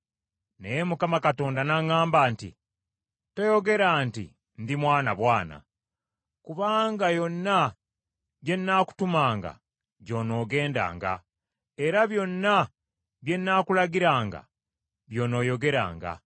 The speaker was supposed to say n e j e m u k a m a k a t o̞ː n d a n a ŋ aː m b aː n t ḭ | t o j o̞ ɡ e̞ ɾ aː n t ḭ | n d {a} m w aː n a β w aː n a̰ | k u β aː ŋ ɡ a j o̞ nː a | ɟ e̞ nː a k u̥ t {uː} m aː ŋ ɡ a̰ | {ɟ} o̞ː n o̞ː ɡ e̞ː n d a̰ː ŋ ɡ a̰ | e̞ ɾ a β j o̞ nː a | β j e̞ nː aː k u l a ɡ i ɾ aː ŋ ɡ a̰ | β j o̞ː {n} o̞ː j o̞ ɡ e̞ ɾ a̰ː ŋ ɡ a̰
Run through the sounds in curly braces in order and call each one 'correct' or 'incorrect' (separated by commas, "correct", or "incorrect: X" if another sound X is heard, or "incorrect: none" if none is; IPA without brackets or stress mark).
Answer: incorrect: i, incorrect: u, correct, correct